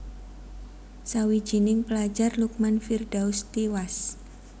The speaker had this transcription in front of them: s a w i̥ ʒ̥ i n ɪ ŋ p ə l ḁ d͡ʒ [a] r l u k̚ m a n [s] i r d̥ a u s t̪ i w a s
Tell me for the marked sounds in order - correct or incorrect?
correct, incorrect

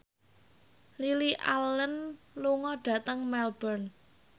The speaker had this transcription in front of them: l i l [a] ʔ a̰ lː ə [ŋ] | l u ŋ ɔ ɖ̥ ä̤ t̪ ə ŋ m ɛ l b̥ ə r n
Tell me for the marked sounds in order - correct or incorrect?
incorrect, incorrect

